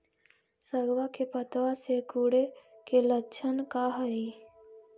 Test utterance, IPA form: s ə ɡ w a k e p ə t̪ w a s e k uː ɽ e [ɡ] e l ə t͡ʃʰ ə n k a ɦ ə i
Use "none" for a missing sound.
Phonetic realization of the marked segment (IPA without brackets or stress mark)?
k